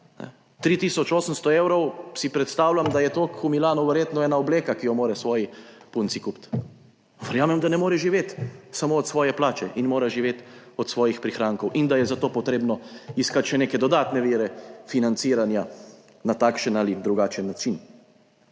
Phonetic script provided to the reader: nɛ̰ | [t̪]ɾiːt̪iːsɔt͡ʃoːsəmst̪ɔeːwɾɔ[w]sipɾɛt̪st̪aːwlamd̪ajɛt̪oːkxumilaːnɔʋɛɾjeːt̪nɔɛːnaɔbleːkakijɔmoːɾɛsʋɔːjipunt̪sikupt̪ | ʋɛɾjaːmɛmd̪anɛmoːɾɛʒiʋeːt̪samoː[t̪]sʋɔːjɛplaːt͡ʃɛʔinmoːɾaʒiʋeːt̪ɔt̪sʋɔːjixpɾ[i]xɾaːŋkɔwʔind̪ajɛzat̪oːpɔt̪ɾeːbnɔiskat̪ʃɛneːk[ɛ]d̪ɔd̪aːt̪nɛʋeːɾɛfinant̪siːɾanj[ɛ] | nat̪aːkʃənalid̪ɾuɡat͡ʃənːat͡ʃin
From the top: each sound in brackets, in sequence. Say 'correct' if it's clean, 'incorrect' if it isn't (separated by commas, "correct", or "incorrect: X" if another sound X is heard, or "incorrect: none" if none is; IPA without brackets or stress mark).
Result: correct, correct, correct, correct, correct, incorrect: a